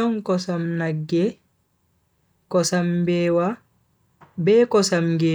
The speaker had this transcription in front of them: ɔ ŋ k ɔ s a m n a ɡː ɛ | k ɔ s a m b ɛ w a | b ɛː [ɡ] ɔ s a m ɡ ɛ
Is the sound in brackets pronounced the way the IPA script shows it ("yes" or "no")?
no